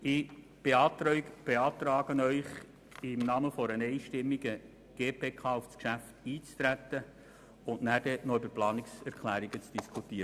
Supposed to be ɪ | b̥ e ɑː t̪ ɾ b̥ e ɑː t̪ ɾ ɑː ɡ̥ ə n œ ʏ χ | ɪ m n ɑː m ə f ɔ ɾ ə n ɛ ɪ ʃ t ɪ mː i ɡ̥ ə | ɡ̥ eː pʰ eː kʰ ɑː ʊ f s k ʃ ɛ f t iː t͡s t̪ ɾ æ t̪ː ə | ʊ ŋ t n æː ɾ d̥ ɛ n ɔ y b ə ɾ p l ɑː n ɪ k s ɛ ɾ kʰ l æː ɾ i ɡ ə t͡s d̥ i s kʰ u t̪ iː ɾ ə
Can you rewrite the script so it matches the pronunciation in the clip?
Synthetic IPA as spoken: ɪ | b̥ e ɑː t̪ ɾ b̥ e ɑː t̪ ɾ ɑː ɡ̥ ə n œ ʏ χ | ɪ m n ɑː m ə f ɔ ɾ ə n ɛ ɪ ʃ t ɪ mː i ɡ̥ ə | ɡ̥ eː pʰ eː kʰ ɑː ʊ f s k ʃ æ f t iː t͡s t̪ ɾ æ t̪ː ə | ʊ n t n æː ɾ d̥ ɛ n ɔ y b ə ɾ p l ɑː n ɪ k s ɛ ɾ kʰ l æː ɾ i ɡ ə t͡s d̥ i s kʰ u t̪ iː ɾ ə